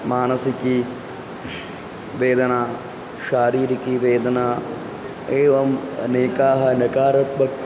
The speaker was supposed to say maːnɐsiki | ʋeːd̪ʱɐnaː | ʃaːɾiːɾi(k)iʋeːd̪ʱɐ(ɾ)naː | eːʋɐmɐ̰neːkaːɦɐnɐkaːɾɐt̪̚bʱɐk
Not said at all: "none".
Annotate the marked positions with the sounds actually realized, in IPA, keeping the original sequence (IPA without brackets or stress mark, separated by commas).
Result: k, none